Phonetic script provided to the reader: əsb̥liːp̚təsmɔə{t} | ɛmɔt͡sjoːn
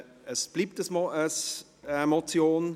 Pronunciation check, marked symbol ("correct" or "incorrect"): incorrect